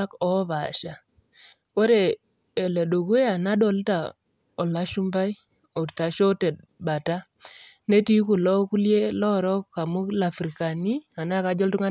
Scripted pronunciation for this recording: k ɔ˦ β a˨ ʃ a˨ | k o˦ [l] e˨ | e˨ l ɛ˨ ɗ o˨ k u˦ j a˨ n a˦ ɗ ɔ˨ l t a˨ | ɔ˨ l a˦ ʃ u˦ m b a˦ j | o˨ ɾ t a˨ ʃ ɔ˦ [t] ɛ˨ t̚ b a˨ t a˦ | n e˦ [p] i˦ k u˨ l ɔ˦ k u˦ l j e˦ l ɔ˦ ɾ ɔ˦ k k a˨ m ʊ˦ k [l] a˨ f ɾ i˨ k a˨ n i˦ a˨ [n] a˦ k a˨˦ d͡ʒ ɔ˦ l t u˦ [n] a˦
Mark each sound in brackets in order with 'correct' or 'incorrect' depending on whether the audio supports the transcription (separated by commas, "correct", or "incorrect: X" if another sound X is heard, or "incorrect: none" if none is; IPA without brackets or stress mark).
incorrect: ɾ, correct, incorrect: t, correct, correct, incorrect: ŋ